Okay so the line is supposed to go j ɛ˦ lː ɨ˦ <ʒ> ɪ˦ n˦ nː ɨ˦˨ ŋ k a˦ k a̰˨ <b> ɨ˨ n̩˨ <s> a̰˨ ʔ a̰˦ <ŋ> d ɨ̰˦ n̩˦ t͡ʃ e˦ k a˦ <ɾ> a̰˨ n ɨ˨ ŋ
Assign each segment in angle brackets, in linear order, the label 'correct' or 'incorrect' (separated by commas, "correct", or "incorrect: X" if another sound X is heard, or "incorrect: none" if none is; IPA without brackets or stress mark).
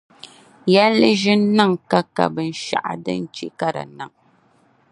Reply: correct, correct, incorrect: ʃ, incorrect: none, correct